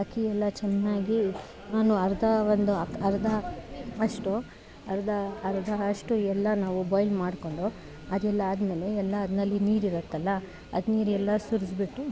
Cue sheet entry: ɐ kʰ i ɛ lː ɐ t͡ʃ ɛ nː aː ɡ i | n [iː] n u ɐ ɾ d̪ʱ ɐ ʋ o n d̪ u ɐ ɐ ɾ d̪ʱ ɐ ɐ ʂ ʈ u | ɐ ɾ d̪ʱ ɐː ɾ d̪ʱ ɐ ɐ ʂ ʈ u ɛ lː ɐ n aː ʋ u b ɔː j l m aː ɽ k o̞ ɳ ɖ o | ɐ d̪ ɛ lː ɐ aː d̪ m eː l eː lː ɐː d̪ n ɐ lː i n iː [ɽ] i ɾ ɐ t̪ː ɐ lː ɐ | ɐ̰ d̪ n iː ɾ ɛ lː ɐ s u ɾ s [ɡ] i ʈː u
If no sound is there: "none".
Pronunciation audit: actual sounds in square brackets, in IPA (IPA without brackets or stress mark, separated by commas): aː, ɾ, b